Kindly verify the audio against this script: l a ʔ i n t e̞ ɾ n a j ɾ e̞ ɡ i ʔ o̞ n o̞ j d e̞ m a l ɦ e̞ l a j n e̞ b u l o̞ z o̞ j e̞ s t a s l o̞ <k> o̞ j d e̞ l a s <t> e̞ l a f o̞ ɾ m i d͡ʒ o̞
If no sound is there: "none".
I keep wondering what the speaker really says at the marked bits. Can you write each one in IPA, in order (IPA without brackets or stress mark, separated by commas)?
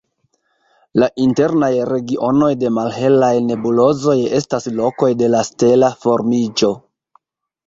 k, t